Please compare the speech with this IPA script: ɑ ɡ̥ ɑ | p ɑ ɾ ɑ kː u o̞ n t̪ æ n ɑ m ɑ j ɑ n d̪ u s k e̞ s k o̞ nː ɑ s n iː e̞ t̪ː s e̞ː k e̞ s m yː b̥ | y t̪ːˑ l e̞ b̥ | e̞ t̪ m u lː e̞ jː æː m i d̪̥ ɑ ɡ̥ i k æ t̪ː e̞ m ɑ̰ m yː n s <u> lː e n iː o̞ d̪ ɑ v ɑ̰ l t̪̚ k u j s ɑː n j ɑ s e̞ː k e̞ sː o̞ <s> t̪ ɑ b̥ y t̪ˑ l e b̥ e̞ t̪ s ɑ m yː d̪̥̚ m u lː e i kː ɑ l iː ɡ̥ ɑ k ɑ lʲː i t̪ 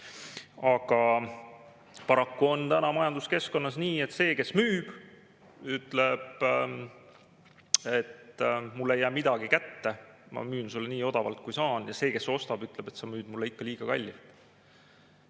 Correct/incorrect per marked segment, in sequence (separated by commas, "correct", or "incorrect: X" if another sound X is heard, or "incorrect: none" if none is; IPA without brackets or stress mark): correct, correct